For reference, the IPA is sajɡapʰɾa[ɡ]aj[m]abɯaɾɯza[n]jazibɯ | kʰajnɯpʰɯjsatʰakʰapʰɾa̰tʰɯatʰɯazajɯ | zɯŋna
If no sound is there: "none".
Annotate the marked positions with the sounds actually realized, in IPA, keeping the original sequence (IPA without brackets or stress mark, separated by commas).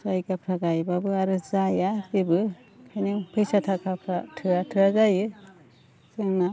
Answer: ɡ, b, none